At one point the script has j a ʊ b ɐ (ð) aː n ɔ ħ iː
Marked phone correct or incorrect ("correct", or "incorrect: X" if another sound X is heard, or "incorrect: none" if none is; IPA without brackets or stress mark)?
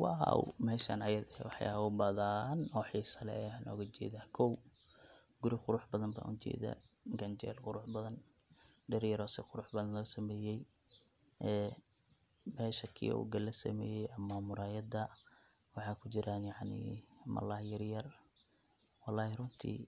correct